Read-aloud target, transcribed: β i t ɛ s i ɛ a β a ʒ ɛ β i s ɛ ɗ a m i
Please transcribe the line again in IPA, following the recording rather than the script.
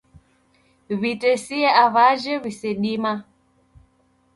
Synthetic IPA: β i t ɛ s i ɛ a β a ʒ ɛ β i s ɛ ɗ i m a